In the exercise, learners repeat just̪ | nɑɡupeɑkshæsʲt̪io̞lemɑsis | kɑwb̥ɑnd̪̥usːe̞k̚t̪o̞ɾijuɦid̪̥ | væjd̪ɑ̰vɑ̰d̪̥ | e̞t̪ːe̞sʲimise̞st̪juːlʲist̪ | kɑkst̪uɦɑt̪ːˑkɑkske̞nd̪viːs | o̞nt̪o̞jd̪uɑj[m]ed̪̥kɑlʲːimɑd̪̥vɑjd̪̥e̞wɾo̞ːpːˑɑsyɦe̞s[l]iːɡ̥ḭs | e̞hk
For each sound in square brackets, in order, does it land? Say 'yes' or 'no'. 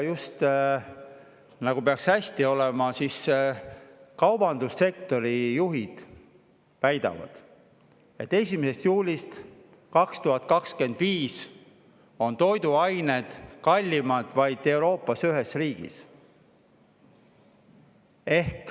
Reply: no, no

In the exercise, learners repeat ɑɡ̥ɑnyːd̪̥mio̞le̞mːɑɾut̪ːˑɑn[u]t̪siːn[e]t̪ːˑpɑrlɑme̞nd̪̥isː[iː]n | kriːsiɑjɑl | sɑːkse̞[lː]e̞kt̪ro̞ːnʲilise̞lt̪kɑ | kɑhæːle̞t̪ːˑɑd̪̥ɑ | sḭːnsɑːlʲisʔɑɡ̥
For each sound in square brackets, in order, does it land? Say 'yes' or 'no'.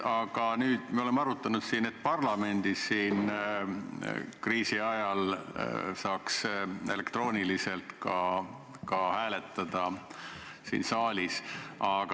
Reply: yes, yes, yes, no

